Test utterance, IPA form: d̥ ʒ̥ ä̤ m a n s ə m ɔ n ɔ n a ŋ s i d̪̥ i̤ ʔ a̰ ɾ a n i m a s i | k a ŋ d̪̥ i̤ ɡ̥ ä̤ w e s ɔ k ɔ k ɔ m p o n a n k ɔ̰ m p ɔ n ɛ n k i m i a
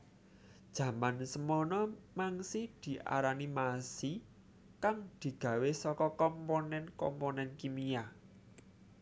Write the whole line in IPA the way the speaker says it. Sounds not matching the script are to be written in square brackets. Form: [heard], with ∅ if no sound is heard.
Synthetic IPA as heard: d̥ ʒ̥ ä̤ m a n s ə m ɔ n ɔ [m] a ŋ s i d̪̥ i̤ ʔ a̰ ɾ a n i m a s i | k a ŋ d̪̥ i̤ ɡ̥ ä̤ w e s ɔ k ɔ k ɔ m p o n [ɛ] n k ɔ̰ m p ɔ n ɛ n k i m i a